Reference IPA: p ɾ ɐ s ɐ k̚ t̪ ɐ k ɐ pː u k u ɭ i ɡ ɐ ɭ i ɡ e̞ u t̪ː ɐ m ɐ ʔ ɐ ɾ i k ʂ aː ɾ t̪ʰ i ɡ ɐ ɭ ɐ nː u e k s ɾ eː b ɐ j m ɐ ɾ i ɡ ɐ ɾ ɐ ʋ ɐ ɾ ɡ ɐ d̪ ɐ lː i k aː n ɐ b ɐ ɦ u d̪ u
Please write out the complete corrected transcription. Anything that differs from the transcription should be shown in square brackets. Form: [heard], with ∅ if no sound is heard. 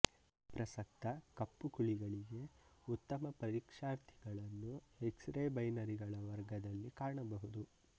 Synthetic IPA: p ɾ ɐ s ɐ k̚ t̪ ɐ k ɐ pː u k u ɭ i ɡ ɐ ɭ i ɡ e̞ u t̪ː ɐ m ɐ [p] ɐ ɾ i k ʂ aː ɾ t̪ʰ i ɡ ɐ ɭ ɐ nː u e k s ɾ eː b ɐ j [n] ɐ ɾ i ɡ ɐ [ɭ] ɐ ʋ ɐ ɾ ɡ ɐ d̪ ɐ lː i k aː [ɳ] ɐ b ɐ ɦ u d̪ u

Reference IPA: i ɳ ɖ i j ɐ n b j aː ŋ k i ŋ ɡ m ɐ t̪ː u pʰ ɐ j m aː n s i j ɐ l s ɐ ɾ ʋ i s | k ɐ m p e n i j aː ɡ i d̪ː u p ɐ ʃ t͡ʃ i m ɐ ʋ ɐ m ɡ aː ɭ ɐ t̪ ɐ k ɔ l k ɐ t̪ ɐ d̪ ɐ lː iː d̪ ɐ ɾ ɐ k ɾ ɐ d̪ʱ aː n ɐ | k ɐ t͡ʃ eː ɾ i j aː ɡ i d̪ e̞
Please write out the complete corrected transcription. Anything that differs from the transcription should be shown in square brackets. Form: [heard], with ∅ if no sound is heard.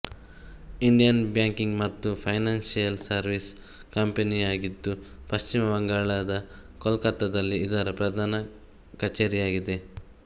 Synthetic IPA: i ɳ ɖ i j ɐ n b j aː ŋ k i ŋ ɡ m ɐ t̪ː u pʰ ɐ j [n] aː n s i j ɐ l s ɐ ɾ ʋ i s | k ɐ m p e n i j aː ɡ i d̪ː u p ɐ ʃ t͡ʃ i m ɐ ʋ ɐ [ŋ] ɡ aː ɭ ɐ [d̪] ɐ k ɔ l k ɐ t̪ ɐ d̪ ɐ lː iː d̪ ɐ ɾ ɐ [p] ɾ ɐ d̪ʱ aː n ɐ | k ɐ t͡ʃ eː ɾ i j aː ɡ i d̪ e̞

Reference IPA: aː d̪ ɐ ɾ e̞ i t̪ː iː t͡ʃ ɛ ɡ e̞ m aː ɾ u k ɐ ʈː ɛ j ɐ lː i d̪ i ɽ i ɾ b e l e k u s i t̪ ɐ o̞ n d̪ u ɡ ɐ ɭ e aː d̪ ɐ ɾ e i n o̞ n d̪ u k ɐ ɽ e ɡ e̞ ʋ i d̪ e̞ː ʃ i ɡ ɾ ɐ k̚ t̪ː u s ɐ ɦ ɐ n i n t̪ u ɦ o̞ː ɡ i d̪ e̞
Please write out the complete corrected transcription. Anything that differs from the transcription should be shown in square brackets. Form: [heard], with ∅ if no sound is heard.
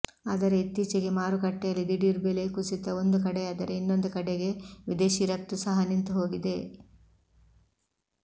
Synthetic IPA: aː d̪ ɐ ɾ e̞ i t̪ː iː t͡ʃ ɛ ɡ e̞ m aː ɾ u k ɐ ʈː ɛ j ɐ lː i d̪ i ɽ i ɾ b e l e k u s i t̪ ɐ o̞ n d̪ u [k] ɐ [ɽ] e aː d̪ ɐ ɾ e i [nː] o̞ n d̪ u k ɐ ɽ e ɡ e̞ ʋ i d̪ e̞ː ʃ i [∅] ɾ ɐ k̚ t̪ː u s ɐ ɦ ɐ n i n t̪ u ɦ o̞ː ɡ i d̪ e̞

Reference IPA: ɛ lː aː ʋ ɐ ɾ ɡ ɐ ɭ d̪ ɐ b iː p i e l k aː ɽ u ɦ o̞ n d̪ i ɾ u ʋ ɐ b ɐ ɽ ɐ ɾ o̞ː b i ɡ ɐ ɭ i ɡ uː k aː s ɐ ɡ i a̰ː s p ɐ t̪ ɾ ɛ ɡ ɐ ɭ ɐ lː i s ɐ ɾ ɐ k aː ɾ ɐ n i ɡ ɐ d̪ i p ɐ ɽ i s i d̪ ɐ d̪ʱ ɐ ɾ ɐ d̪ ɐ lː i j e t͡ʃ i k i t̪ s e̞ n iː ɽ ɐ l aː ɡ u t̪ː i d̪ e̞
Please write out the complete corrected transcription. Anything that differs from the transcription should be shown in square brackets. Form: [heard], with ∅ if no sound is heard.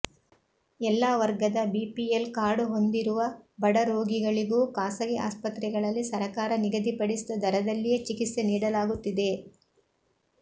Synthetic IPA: ɛ lː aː ʋ ɐ ɾ ɡ ɐ [∅] d̪ ɐ b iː p i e l k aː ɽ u ɦ o̞ n d̪ i ɾ u ʋ ɐ b ɐ ɽ ɐ ɾ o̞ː [ɡ] i ɡ ɐ ɭ i ɡ uː k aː s ɐ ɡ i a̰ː s p ɐ t̪ ɾ ɛ ɡ ɐ ɭ ɐ lː i s ɐ ɾ ɐ k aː ɾ ɐ n i ɡ ɐ d̪ i p ɐ ɽ i s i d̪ ɐ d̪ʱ ɐ ɾ ɐ d̪ ɐ lː i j e t͡ʃ i k i t̪ s e̞ n iː ɽ ɐ l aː ɡ u t̪ː i d̪ e̞

